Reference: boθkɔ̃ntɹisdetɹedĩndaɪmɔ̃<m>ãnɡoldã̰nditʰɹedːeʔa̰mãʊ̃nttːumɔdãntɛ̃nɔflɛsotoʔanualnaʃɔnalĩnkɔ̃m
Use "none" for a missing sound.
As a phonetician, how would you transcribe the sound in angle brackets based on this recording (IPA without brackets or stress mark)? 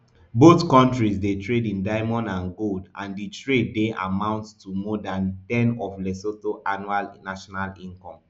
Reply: n